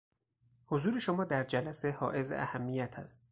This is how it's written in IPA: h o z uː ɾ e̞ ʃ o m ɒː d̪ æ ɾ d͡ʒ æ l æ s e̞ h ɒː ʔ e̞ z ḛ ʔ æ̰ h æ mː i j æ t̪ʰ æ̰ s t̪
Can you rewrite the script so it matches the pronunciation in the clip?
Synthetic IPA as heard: h o z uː ɾ e̞ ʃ o m ɒː d̪ æ ɾ d͡ʒ æ l æ s e̞ h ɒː ʔ e̞ z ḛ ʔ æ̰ h æ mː i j æ t̪ʰ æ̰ s t̪